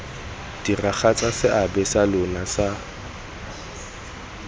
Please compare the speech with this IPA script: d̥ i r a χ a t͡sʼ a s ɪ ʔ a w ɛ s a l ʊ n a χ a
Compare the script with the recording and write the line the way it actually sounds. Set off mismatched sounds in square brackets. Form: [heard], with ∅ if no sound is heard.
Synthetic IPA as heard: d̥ i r a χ a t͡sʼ a s ɪ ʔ a [b] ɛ s a l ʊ n a [s] a